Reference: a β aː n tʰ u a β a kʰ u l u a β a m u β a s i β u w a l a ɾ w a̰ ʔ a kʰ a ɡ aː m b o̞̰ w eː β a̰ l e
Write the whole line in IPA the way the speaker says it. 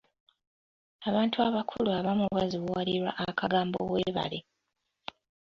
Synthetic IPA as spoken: a β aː n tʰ u a β a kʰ u l u a β a m u β a z i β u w a l i ɾ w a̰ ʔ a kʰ a ɡ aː m b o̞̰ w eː β a̰ l e